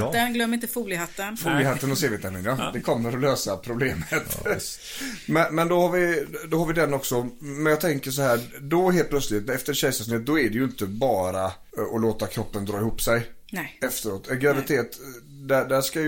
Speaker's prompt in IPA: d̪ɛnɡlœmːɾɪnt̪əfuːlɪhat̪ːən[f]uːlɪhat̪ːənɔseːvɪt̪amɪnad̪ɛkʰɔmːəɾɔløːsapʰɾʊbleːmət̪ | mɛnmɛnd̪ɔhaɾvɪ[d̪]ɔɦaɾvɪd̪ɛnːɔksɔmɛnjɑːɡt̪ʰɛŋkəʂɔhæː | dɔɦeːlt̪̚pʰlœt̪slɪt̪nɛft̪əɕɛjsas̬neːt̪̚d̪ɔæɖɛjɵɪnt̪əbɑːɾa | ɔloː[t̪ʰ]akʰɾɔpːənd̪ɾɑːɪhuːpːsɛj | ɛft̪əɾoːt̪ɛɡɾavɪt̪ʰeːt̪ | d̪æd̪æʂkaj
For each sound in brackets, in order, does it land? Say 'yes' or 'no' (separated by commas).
yes, yes, no